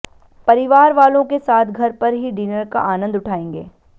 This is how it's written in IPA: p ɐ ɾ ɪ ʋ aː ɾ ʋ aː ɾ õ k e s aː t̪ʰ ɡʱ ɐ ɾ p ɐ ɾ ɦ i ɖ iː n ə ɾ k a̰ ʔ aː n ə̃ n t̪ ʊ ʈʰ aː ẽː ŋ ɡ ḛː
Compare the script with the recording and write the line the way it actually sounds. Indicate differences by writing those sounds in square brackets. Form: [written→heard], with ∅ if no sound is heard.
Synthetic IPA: p ɐ ɾ ɪ ʋ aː ɾ ʋ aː [ɾ→l] õ k e s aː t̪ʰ ɡʱ ɐ ɾ p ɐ ɾ ɦ i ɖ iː n ə ɾ k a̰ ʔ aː n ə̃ n [t̪→d̪] ʊ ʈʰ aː ẽː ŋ ɡ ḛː